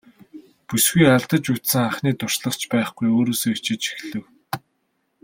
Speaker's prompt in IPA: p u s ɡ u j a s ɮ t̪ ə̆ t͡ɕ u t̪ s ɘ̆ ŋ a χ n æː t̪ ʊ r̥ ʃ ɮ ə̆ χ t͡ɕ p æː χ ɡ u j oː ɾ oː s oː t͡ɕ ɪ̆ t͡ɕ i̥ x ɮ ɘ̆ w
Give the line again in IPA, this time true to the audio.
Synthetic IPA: p u s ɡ u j a ɮ t̪ ə̆ t͡ɕ u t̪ s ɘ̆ ŋ a χ n iː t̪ ʊ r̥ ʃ ɮ ə̆ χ t͡ɕ p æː χ ɡ u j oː ɾ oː s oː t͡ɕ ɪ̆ t͡ɕ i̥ x ɮ ɘ̆ w